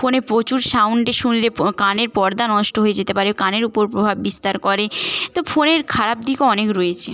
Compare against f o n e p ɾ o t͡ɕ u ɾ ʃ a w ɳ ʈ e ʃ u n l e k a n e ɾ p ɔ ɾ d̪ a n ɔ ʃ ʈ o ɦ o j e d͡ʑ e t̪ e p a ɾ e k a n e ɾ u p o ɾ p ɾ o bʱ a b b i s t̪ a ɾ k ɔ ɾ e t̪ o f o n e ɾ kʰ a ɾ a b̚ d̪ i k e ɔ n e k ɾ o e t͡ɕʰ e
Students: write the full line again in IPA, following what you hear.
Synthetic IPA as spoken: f o n e p ɾ o t͡ɕ u ɾ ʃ a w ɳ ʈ e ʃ u n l e k a n e ɾ p ɔ ɾ d̪ a n ɔ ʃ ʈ o ɦ o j e d͡ʑ e t̪ e p a ɾ e k a n e ɾ u p o ɾ p ɾ o bʱ a b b i s t̪ a ɾ k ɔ ɾ e t̪ o f o n e ɾ kʰ a ɾ a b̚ d̪ i k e ɔ n e k ɾ o e t͡ɕʰ e